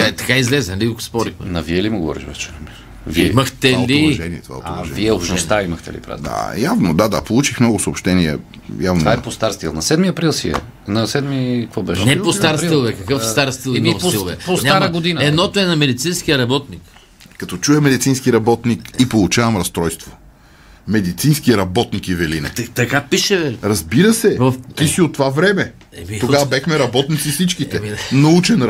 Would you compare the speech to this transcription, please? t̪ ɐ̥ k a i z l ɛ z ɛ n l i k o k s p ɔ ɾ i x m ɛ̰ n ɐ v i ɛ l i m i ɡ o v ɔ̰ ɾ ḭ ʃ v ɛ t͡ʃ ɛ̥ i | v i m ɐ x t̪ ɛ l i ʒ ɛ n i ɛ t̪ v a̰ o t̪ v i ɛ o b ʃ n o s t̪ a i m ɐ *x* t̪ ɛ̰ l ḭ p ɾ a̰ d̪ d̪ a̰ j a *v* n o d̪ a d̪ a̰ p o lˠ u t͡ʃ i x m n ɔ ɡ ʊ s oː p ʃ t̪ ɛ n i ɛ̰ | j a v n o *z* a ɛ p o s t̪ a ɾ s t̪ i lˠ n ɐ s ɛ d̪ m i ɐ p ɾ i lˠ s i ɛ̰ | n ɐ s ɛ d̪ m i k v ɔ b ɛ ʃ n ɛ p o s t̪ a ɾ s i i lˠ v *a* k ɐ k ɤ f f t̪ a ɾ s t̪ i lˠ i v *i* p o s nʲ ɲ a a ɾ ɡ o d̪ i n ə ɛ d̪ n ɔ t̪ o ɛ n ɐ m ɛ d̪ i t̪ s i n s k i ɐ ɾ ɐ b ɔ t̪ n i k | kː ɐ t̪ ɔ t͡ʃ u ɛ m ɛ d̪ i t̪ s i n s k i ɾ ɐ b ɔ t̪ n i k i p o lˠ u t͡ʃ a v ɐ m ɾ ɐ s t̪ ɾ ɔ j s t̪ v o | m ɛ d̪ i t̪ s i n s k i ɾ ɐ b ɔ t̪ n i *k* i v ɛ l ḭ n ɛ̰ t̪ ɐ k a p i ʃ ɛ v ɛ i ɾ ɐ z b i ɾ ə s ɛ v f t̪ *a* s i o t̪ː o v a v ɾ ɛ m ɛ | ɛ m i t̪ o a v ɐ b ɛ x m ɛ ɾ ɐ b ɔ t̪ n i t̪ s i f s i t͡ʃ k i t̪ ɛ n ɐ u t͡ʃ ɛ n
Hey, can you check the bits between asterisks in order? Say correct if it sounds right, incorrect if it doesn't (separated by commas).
correct, correct, incorrect, incorrect, incorrect, correct, incorrect